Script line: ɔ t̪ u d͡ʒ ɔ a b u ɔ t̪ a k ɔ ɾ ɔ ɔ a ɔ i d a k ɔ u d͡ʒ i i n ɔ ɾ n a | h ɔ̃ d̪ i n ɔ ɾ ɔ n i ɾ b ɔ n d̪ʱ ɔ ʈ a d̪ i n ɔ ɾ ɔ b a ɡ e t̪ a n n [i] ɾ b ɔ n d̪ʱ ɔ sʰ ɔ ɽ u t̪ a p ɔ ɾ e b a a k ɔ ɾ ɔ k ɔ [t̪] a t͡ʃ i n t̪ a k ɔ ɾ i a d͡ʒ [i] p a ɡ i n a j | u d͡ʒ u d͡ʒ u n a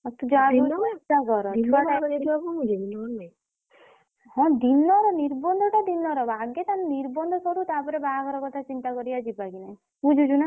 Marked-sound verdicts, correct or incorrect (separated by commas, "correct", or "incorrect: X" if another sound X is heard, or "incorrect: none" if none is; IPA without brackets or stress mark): correct, incorrect: t̪ʰ, correct